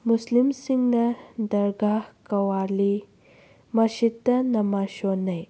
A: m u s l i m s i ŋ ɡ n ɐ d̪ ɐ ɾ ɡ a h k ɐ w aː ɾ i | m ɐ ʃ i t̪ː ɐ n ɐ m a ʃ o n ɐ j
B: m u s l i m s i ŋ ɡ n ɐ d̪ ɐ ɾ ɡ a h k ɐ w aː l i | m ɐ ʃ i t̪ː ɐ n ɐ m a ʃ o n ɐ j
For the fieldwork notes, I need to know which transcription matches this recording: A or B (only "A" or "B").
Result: B